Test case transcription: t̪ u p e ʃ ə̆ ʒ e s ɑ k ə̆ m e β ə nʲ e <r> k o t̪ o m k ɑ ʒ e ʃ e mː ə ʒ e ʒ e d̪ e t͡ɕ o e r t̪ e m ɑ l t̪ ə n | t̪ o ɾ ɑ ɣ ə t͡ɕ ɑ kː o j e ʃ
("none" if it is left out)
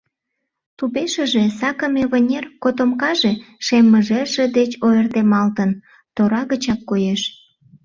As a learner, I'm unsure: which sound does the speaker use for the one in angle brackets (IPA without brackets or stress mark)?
r